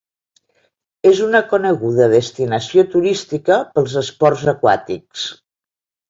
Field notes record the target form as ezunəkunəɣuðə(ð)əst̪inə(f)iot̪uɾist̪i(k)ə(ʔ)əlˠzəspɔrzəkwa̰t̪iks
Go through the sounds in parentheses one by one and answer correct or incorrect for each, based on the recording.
correct, incorrect, correct, incorrect

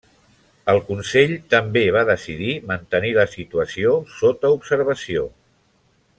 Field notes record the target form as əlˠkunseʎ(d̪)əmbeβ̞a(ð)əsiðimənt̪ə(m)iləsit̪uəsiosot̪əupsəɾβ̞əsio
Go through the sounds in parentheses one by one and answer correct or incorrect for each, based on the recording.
incorrect, correct, incorrect

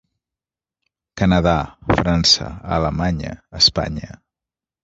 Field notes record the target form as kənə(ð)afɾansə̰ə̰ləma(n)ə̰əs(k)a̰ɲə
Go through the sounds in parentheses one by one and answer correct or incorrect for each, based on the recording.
correct, incorrect, incorrect

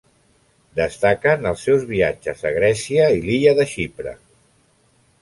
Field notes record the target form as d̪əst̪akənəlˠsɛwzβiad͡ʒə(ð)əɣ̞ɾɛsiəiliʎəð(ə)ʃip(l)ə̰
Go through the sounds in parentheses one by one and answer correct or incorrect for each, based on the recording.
incorrect, correct, incorrect

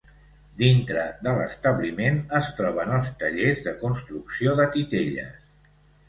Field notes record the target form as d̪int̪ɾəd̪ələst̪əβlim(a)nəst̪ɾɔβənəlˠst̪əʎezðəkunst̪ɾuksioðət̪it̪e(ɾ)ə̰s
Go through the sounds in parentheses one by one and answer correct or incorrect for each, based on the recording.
incorrect, incorrect

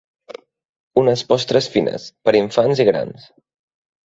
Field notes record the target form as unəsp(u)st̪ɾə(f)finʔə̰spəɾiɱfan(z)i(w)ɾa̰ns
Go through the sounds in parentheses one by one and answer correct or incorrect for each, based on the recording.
incorrect, incorrect, correct, incorrect

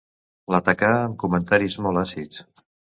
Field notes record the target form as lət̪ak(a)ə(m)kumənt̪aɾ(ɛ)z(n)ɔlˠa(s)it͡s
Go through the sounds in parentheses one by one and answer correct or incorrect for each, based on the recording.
correct, correct, incorrect, incorrect, correct

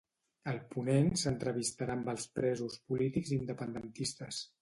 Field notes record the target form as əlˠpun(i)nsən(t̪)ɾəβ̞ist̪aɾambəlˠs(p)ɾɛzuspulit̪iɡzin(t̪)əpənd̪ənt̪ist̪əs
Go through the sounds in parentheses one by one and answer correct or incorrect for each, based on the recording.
incorrect, correct, correct, incorrect

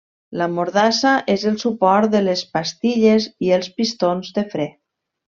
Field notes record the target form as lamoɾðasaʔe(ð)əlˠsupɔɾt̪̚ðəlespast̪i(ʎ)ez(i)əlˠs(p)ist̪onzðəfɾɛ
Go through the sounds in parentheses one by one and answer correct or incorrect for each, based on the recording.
incorrect, correct, correct, correct

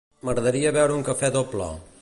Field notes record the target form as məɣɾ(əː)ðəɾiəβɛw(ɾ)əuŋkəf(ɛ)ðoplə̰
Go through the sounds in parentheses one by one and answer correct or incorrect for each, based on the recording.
incorrect, correct, correct

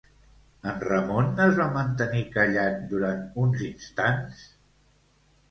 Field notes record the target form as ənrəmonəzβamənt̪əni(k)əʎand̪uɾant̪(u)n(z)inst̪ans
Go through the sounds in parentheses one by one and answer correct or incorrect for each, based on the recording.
correct, correct, correct

